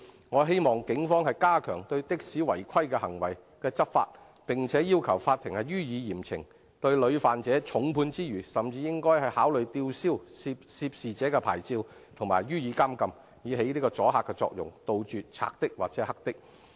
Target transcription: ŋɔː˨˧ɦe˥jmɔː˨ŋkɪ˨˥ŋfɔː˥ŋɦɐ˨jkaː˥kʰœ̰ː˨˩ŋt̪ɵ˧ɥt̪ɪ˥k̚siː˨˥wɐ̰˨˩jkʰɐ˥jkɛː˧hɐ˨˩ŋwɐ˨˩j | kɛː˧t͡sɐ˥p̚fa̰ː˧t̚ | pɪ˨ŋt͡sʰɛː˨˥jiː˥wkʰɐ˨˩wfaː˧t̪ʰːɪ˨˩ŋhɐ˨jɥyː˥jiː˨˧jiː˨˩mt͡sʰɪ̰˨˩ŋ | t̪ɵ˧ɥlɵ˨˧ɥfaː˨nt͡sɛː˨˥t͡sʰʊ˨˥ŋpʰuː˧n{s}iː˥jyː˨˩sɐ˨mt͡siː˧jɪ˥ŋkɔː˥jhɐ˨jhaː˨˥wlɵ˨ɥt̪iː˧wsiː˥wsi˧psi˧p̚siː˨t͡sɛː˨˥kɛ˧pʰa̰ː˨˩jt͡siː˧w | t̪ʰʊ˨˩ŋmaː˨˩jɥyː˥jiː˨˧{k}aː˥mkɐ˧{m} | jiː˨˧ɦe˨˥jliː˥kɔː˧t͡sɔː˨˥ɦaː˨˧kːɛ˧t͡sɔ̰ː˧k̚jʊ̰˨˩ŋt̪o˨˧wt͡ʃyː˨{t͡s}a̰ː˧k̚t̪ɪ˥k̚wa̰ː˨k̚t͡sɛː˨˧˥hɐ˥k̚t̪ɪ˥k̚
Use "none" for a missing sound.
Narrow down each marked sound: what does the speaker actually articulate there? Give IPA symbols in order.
t͡s, k, m, t͡sʰ

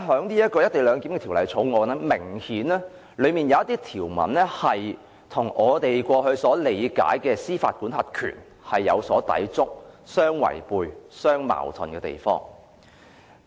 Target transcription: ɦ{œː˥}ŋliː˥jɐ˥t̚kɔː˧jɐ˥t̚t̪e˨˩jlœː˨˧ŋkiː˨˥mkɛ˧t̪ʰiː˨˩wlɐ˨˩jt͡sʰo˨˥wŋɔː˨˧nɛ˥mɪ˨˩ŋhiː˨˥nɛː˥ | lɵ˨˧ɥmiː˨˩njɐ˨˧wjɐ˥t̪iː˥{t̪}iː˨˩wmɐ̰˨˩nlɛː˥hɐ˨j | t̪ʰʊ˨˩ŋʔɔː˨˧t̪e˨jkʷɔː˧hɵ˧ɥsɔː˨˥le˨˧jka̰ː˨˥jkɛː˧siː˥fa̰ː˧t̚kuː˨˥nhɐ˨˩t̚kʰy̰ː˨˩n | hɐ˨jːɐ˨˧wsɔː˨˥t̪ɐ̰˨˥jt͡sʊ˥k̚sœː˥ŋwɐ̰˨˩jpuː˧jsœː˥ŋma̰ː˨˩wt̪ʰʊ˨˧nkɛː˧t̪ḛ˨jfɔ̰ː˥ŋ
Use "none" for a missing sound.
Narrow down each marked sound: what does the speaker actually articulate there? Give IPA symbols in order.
œː˨˥, t̪ʰ

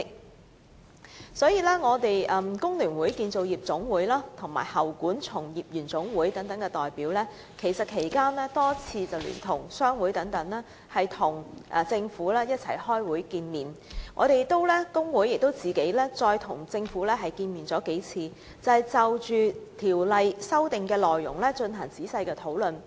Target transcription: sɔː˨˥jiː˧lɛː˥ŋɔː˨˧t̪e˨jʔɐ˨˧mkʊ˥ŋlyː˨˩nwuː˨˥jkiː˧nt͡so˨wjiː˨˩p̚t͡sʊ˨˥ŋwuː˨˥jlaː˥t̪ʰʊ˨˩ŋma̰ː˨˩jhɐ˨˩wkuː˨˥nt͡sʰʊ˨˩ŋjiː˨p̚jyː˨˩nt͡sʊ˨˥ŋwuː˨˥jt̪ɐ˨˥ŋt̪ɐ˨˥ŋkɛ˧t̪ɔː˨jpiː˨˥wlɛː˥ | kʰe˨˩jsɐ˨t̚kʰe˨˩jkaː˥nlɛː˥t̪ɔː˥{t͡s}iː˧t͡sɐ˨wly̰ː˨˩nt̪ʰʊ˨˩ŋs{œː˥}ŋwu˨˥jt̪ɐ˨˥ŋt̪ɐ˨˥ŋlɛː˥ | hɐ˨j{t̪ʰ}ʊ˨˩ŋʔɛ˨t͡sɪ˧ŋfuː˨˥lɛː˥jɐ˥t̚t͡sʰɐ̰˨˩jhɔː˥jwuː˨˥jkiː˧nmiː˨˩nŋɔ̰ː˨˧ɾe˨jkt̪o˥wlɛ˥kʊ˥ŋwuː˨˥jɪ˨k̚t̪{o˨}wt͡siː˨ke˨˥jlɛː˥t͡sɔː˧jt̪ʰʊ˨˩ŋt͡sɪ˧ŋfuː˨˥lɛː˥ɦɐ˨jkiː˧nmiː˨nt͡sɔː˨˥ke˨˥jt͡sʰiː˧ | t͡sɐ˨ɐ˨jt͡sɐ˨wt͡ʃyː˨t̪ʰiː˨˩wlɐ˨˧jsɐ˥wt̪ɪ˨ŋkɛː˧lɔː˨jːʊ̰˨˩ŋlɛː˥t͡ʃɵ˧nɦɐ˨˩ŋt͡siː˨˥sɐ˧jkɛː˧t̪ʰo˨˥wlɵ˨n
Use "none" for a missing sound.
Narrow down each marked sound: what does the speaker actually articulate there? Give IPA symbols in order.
t͡sʰ, œː˥, t̪ʰ, o˥

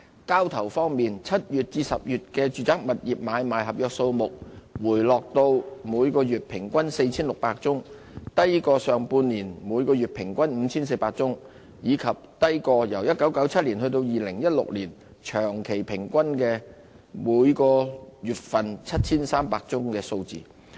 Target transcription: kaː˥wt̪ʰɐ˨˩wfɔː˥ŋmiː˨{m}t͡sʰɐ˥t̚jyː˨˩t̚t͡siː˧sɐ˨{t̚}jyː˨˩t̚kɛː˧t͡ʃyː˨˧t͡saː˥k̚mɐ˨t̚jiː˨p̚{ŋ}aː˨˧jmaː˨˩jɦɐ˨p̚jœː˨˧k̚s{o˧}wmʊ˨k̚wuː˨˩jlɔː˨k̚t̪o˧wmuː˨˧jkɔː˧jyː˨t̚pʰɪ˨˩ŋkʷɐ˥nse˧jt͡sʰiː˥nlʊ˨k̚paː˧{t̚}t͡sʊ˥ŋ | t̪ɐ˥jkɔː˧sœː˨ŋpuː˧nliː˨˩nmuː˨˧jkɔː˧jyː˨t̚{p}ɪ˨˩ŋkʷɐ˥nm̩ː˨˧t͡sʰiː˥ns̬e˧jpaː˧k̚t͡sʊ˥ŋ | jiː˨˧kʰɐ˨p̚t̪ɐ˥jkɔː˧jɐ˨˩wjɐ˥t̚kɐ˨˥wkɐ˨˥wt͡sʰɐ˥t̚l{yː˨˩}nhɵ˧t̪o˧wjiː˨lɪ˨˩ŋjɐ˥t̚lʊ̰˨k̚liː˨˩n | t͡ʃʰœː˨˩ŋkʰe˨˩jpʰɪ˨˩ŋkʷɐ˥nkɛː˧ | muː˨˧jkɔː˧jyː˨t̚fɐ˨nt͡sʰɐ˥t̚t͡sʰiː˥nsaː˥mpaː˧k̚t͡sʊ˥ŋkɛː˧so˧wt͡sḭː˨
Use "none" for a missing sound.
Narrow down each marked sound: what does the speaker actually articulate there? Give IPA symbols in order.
n, p̚, m, o˧, k̚, pʰ, iː˨˩

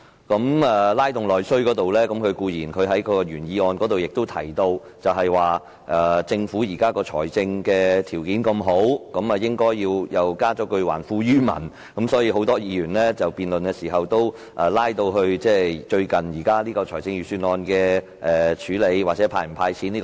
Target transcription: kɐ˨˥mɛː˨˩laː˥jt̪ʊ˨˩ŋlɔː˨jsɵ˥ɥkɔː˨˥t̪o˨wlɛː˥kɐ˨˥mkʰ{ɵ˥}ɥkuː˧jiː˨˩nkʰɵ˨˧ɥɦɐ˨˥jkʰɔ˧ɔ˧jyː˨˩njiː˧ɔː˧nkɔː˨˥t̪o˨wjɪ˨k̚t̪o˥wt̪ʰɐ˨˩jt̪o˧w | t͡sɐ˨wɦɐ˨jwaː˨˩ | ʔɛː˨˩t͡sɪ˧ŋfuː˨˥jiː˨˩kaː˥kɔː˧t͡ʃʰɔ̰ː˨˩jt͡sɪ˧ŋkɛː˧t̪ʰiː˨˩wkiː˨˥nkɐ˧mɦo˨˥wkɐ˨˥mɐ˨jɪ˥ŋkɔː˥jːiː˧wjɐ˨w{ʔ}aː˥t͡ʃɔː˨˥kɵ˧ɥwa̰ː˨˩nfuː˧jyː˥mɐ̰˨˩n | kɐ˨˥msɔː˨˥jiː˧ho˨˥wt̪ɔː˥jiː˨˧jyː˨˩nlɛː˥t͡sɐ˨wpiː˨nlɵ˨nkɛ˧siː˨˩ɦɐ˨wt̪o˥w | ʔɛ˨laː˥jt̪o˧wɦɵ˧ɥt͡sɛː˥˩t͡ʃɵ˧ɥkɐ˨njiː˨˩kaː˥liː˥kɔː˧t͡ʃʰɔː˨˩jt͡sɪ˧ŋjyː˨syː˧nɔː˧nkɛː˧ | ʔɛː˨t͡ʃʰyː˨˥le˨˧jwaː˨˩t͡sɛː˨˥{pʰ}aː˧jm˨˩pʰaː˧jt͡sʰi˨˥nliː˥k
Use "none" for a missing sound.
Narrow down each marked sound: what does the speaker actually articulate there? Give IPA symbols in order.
ɵ˨˧, k, pʰ

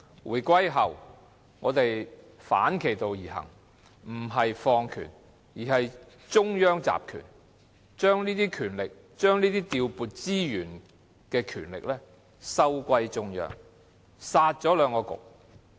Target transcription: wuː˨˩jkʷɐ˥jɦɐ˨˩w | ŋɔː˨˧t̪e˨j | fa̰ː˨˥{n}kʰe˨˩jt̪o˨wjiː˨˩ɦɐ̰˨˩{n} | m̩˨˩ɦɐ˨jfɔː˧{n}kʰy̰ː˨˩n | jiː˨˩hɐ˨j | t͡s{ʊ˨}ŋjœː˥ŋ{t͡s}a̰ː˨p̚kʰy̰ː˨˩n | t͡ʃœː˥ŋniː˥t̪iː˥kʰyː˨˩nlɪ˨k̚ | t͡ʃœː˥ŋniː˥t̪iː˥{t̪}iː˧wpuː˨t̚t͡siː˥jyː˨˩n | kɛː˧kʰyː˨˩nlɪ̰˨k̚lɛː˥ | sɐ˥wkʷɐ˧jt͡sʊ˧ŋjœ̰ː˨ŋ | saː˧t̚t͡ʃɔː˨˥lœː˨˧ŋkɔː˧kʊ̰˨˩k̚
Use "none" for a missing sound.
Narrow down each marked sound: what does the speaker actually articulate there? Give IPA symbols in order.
n, ŋ, ŋ, ʊ˥, t͡s, t̪

